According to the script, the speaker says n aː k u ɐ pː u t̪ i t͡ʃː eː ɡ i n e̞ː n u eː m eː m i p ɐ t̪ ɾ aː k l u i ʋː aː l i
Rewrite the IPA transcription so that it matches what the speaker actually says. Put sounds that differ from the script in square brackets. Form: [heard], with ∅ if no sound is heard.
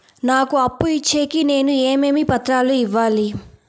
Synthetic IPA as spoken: n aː k u ɐ pː u [∅] i t͡ʃː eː [k] i n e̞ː n u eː m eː m i p ɐ t̪ ɾ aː [∅] l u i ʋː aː l i